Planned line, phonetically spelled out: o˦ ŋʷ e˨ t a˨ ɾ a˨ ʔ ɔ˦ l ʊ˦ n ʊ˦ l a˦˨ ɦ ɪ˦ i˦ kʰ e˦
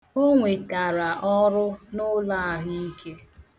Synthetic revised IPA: o˦ ŋʷ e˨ t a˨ ɾ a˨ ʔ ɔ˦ ɾ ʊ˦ n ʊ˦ l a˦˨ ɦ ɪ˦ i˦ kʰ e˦